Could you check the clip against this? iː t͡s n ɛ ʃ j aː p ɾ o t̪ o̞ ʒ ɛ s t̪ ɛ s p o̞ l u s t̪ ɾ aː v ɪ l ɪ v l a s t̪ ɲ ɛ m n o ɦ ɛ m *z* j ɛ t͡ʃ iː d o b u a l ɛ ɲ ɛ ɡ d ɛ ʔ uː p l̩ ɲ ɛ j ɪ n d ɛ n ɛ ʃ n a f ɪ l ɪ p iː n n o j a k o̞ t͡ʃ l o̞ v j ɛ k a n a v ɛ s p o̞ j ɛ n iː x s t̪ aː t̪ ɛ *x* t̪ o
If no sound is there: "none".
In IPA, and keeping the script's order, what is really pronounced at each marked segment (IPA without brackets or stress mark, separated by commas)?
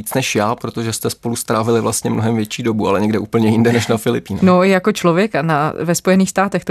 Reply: v, x